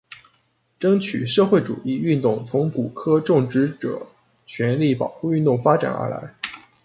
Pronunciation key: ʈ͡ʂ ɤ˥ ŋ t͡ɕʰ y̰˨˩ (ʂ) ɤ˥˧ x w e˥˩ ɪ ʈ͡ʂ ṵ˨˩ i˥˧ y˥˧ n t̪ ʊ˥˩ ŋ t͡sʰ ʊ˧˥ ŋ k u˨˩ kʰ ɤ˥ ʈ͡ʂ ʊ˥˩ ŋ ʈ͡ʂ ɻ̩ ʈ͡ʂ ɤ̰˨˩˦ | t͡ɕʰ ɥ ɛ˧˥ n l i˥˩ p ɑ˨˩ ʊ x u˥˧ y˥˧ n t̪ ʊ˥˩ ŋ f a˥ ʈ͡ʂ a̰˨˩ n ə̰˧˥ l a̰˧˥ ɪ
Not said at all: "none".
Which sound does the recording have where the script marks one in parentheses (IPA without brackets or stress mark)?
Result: ʂ